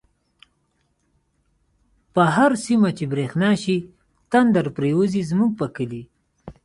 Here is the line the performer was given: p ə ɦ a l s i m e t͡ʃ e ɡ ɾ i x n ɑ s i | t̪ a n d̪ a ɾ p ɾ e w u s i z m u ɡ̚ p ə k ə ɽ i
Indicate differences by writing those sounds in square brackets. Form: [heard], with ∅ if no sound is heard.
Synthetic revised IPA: p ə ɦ a [ɾ] s i m [a] t͡ʃ e [b] ɾ [e] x n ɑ [ʃ] i | t̪ a n d̪ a ɾ p ɾ e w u [z] i z m u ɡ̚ p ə k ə [l] i